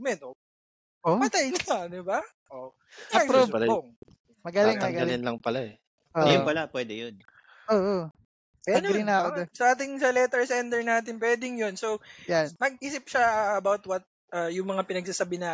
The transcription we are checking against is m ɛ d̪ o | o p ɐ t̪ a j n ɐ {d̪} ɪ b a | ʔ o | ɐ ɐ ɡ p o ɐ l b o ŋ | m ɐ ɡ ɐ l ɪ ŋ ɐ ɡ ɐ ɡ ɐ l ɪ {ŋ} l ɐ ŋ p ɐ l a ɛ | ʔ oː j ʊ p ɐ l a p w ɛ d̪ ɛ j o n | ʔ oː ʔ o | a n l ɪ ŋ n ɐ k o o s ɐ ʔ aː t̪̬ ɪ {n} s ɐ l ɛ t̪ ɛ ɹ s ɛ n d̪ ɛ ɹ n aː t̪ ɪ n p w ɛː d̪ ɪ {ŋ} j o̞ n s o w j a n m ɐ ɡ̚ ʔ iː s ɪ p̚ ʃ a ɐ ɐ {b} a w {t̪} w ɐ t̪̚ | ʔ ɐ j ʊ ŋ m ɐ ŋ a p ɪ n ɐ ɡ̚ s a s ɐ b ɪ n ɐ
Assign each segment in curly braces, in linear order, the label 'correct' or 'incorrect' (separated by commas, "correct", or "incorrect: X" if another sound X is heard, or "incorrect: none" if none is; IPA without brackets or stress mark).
correct, incorrect: n, incorrect: ŋ, correct, correct, correct